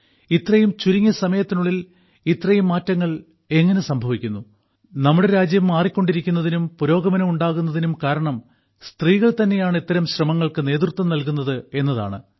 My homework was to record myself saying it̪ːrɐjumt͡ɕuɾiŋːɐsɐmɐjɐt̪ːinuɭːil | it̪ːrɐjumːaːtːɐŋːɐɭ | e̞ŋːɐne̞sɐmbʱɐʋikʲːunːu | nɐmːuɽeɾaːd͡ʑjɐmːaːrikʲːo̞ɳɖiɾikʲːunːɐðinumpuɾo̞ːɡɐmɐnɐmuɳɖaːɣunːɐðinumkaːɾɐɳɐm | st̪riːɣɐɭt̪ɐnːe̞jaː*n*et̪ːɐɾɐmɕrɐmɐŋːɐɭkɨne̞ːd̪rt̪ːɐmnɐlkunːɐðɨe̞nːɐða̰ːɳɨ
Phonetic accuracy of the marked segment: incorrect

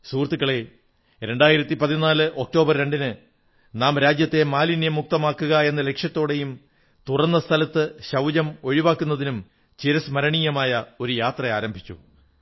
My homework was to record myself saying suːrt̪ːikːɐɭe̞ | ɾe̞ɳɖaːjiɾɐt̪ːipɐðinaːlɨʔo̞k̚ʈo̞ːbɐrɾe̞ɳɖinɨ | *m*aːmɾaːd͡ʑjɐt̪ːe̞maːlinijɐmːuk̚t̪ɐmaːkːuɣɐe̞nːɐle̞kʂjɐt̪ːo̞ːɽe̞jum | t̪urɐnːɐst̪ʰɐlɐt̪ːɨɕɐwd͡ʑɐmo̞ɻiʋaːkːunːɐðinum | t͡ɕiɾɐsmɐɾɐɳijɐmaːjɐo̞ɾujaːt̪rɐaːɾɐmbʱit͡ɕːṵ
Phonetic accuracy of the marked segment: incorrect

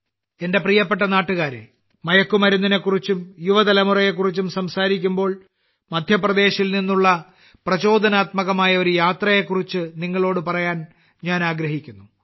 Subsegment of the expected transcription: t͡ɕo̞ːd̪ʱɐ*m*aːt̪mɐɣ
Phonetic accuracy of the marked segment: incorrect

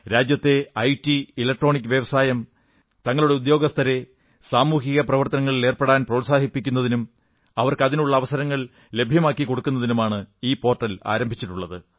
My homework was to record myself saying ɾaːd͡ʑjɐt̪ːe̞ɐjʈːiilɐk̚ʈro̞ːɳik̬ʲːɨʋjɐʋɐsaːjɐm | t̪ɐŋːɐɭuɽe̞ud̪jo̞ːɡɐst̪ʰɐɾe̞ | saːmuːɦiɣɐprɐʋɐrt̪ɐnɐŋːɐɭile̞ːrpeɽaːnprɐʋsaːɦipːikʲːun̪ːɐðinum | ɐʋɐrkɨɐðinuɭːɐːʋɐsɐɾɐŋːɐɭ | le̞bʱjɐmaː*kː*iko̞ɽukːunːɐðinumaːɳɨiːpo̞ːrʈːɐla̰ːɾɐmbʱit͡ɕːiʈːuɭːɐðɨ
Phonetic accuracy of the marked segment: correct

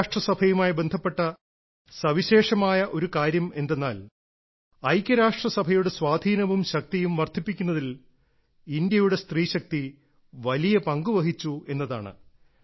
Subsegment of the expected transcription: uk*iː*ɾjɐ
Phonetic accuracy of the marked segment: incorrect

